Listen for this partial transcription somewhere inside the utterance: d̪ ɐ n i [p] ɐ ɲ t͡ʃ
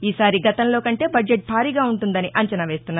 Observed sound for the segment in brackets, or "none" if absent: ʔ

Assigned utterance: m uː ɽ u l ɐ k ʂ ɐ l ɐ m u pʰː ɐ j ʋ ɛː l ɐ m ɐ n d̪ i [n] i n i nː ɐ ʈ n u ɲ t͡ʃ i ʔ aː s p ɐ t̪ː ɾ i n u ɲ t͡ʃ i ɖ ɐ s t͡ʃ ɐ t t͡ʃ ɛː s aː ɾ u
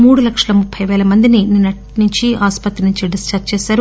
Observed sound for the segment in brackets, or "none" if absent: n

